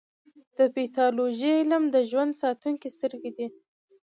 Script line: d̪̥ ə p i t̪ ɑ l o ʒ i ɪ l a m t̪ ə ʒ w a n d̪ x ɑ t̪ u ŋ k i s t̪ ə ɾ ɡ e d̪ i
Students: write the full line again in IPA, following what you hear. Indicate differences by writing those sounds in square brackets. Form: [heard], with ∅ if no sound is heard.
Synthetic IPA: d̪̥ ə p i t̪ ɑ l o ʒ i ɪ l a m [d̪] ə ʒ w a n d̪ [s] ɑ t̪ u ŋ k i s t̪ ə ɾ ɡ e d̪ i

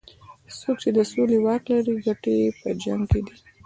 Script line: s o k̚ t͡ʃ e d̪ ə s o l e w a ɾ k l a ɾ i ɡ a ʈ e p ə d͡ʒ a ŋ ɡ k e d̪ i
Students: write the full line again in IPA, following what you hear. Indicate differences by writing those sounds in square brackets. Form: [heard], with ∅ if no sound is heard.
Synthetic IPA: s o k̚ t͡ʃ e d̪ ə s o l e w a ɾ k l a ɾ i ɡ a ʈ e p ə d͡ʒ a ŋ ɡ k e d̪ i

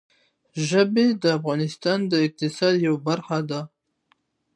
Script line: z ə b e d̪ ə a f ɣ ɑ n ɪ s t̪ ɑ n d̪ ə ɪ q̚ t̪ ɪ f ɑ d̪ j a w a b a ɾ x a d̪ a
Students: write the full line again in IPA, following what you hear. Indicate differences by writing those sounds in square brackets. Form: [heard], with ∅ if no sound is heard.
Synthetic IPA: [ʒ] ə b e d̪ ə a f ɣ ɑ n ɪ s t̪ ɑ n d̪ ə ɪ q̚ t̪ ɪ [s] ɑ d̪ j a w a b a ɾ x a d̪ a

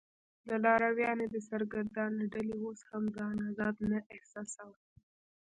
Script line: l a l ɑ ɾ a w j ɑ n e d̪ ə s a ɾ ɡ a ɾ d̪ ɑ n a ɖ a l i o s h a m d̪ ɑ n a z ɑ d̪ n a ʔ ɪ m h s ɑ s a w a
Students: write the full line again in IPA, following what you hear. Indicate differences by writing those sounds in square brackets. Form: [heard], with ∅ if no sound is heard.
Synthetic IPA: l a l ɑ ɾ a w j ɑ n e d̪ ə s a ɾ ɡ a ɾ d̪ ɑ n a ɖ a l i o s h a m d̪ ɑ n a z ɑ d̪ n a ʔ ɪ [∅] h s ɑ s a w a

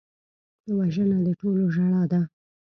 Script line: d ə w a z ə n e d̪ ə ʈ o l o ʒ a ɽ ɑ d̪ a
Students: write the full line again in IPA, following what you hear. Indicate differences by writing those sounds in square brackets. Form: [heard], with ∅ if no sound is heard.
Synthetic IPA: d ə w a [ʒ] ə n [a] d̪ ə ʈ o l o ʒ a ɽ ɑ d̪ a

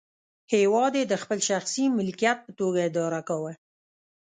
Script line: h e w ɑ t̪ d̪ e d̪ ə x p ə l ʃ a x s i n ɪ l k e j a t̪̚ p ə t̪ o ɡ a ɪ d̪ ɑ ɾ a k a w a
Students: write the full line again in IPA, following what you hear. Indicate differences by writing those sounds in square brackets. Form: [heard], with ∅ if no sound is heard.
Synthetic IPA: h e w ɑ [∅] d̪ e d̪ ə x p ə l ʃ a x s i [m] ɪ l k [i] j a t̪̚ p ə t̪ o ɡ a ɪ d̪ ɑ ɾ a k a w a

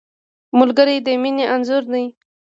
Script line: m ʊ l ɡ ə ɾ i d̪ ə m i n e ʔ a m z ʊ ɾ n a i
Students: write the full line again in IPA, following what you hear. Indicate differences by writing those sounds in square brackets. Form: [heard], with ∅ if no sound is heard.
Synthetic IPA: m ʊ l ɡ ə ɾ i d̪ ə m i n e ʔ a [n] z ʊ ɾ n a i

